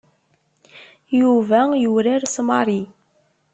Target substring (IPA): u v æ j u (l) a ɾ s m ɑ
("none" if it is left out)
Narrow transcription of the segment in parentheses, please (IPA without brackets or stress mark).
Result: ɾ